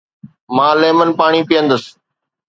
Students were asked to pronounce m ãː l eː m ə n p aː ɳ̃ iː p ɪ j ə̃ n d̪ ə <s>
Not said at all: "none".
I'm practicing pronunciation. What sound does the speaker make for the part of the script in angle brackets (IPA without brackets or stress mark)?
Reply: s